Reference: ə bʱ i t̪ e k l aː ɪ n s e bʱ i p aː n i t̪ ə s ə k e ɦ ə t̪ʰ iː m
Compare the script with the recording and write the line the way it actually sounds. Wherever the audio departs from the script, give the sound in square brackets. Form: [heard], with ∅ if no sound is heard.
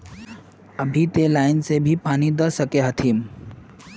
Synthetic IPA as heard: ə bʱ i t̪ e [∅] l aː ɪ n s e bʱ i p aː n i [d̪] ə s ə k e ɦ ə t̪ʰ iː m